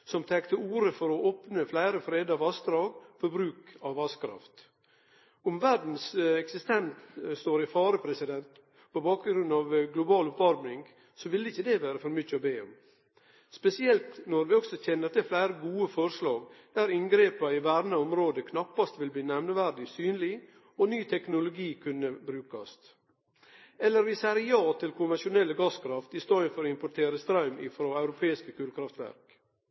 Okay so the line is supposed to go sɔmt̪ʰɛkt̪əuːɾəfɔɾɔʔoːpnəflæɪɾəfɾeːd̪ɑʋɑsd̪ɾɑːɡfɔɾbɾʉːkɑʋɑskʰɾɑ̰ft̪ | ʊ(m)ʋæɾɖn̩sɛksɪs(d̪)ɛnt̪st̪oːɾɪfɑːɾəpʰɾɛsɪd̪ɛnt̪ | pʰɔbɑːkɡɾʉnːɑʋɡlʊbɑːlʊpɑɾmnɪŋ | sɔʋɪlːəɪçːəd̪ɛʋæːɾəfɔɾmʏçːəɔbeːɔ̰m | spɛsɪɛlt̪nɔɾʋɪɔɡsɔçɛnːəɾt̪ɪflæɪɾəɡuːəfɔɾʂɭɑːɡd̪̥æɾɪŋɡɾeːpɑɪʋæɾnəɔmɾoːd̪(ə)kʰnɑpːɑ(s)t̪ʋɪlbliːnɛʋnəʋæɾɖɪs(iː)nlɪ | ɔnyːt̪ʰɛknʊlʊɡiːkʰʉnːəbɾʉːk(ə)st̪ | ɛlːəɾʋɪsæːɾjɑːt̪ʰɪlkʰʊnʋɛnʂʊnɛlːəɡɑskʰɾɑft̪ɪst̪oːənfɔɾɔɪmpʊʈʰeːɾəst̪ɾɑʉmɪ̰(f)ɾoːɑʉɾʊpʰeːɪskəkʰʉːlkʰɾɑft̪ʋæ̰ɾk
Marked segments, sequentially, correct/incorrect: correct, incorrect, correct, correct, incorrect, incorrect, correct

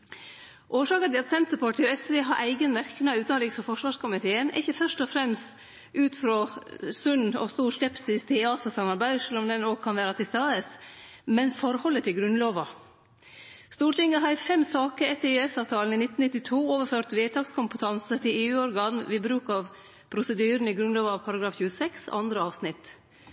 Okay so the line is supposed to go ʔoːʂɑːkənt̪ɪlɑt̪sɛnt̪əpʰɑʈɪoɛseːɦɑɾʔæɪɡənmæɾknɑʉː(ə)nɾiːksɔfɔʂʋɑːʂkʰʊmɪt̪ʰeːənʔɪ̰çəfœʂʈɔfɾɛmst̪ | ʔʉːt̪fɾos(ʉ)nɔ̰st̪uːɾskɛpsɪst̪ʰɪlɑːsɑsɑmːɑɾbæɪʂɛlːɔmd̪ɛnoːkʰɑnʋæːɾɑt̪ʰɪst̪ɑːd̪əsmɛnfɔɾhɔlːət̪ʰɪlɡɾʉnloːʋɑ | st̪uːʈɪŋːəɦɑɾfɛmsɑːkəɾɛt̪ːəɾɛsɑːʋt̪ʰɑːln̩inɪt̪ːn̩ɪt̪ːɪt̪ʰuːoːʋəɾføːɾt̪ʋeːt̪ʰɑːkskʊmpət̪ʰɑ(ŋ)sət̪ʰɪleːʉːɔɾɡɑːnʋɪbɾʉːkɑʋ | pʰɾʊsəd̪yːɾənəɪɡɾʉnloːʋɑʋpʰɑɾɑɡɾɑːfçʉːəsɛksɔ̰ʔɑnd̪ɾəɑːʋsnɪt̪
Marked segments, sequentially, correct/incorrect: incorrect, correct, incorrect

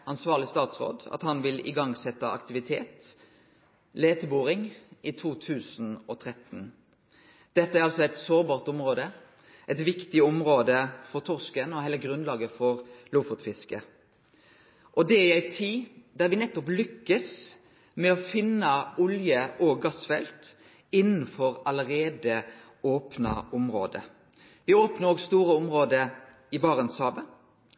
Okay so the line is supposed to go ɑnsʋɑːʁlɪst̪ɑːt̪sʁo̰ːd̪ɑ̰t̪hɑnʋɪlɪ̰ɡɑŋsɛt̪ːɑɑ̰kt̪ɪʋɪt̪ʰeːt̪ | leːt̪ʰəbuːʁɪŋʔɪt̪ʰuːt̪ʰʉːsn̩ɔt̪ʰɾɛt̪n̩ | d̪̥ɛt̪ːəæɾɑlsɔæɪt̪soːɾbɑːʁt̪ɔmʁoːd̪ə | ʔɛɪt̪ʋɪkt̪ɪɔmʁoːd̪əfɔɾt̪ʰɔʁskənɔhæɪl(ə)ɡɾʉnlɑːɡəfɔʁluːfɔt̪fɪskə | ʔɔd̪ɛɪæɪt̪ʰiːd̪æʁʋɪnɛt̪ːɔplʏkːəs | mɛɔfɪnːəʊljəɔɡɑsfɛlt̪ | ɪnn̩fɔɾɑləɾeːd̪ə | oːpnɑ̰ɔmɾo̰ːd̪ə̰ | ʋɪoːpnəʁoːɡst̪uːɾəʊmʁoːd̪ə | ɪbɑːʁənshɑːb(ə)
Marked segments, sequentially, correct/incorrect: correct, correct

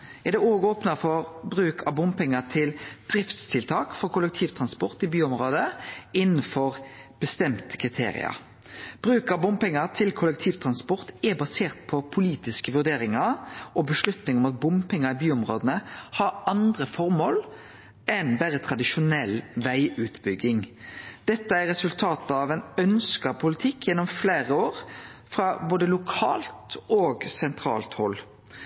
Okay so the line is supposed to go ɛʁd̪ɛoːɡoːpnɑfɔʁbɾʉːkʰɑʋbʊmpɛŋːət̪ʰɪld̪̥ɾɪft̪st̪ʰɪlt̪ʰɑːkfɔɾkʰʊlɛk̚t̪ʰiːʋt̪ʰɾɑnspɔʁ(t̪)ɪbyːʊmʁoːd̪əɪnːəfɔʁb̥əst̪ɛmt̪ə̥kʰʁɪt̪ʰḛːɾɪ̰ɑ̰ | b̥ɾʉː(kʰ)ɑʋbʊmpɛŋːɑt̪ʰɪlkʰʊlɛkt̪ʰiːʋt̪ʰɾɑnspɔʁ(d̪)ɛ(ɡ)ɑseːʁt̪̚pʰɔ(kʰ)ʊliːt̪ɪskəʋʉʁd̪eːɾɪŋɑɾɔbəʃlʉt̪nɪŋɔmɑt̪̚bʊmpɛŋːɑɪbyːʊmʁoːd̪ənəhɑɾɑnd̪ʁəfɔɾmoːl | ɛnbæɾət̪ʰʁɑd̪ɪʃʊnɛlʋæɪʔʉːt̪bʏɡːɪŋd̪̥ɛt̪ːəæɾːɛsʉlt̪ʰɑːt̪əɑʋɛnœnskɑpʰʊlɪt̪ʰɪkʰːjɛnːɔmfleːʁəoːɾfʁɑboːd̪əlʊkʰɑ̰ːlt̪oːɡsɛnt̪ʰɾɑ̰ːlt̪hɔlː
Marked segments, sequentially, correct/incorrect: correct, incorrect, incorrect, incorrect, incorrect

